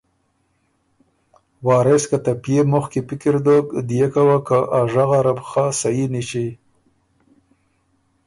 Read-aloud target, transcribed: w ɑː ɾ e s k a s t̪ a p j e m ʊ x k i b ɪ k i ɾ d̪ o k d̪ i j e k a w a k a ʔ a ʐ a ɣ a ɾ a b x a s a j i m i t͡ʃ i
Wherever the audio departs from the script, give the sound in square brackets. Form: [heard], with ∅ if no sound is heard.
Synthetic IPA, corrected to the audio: w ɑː ɾ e s k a [∅] t̪ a p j e m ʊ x k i [p] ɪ k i ɾ d̪ o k d̪ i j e k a w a k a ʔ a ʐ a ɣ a ɾ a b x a s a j i [n] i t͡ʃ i